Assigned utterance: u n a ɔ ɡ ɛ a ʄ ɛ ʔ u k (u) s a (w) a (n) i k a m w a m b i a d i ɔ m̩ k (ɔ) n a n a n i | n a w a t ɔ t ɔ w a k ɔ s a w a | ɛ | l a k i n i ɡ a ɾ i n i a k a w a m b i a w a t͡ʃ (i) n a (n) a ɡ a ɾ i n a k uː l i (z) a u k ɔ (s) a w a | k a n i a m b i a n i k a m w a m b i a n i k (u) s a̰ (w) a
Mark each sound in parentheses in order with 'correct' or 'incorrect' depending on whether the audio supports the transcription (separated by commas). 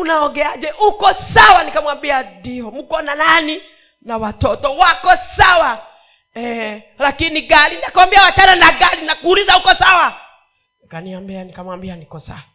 incorrect, correct, correct, correct, incorrect, correct, correct, correct, incorrect, correct